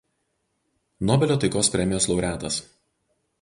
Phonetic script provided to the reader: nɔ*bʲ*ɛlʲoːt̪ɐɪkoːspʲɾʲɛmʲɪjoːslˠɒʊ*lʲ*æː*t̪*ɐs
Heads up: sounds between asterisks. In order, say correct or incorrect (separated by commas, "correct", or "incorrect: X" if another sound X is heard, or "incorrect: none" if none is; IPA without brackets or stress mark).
correct, incorrect: ɾʲ, correct